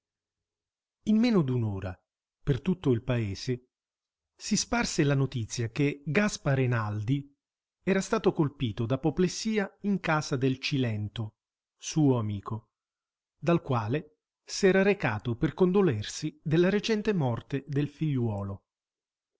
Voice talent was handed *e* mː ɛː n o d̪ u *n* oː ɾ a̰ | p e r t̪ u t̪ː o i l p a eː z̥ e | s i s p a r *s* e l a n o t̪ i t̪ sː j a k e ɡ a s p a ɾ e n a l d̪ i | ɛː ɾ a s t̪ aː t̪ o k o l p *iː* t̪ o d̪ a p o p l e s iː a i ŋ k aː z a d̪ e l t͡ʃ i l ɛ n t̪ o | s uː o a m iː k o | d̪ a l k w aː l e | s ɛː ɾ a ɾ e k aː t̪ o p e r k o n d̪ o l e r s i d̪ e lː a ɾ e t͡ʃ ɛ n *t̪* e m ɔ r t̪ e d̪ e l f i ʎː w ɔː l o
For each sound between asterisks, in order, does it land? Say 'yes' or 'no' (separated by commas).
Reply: no, yes, yes, yes, yes